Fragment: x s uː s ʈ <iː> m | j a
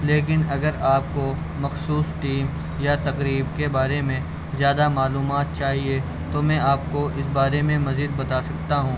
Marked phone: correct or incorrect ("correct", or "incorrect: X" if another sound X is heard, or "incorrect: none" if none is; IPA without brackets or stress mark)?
correct